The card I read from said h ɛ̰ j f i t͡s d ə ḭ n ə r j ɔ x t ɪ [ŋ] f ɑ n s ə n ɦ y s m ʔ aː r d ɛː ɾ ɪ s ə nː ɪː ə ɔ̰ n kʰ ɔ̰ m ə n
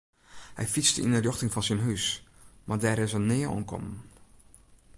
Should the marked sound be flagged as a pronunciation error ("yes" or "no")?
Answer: no